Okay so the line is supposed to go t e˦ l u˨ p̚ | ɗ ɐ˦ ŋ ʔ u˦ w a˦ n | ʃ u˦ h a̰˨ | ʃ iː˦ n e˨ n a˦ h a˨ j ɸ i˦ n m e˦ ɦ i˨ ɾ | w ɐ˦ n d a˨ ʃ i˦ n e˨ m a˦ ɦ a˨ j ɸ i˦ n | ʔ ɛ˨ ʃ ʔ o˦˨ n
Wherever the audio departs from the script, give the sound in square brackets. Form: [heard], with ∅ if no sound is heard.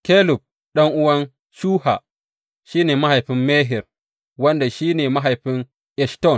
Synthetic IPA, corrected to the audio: [k] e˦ l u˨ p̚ | ɗ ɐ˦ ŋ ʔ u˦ w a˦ n | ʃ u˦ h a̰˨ | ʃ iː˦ n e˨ [m] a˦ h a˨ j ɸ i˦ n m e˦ ɦ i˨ ɾ | w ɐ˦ n d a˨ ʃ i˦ n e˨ m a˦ ɦ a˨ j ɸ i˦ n | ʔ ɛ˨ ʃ [t] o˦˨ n